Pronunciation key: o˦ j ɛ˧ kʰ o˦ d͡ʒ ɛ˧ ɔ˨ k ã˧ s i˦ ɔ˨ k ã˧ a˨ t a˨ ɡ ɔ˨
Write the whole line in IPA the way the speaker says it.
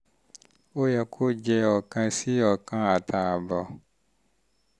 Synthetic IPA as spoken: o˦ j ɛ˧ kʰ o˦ d͡ʒ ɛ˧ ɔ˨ k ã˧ s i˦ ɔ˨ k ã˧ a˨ t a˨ b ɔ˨